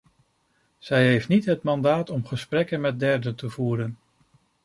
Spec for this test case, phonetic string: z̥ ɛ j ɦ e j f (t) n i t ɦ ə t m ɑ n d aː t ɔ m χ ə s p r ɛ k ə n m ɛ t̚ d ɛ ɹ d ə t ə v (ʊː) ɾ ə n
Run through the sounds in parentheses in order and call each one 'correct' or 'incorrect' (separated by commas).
correct, incorrect